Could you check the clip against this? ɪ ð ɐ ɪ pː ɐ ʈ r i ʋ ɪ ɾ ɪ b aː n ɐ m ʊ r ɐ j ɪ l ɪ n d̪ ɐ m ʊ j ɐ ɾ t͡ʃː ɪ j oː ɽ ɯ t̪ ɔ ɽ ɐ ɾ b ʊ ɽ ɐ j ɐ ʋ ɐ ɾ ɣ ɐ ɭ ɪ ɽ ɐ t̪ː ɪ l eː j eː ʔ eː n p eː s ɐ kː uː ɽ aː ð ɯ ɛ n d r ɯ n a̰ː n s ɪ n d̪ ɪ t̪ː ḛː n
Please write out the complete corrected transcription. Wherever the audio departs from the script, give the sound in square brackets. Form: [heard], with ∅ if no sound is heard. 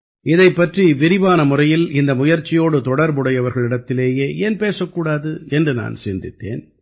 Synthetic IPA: ɪ ð ɐ ɪ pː ɐ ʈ r i ʋ ɪ ɾ ɪ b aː n ɐ m ʊ r ɐ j ɪ l ɪ n d̪ ɐ m ʊ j ɐ ɾ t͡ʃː ɪ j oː ɽ ɯ t̪ ɔ ɽ ɐ ɾ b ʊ ɽ ɐ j ɐ ʋ ɐ ɾ ɣ ɐ ɭ ɪ ɽ ɐ t̪ː ɪ l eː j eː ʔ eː n p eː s ɐ kː uː ɽ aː ð ɯ ɛ n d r ɯ n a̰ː n s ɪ n d̪ ɪ t̪ː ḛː n